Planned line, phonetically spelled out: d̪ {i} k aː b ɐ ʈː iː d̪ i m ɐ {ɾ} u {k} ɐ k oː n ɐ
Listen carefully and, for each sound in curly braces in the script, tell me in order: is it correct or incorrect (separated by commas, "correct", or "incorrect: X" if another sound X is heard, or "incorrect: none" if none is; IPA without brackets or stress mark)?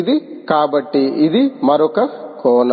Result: correct, correct, correct